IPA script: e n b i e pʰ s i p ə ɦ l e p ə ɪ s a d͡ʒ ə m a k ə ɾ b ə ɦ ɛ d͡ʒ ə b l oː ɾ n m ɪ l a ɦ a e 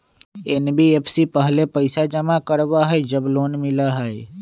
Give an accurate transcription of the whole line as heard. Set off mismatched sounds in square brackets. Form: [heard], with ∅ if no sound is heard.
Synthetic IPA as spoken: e n b i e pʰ s i p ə ɦ l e p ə ɪ s a d͡ʒ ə m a k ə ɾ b [a] ɦ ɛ d͡ʒ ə b l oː [∅] n m ɪ l a ɦ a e